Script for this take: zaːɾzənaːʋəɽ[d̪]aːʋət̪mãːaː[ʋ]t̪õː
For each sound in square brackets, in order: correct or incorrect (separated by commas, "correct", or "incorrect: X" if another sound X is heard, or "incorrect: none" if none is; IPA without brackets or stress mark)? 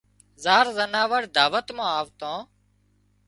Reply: correct, correct